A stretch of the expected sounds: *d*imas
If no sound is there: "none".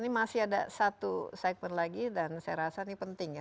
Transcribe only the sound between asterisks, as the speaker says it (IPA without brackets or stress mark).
n